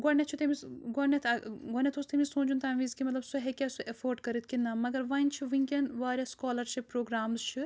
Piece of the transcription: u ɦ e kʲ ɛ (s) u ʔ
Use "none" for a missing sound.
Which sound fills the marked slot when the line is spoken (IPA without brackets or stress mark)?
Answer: s